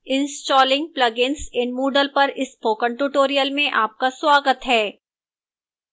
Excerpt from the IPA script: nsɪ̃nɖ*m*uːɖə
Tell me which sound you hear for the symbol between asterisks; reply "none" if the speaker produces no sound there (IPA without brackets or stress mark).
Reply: m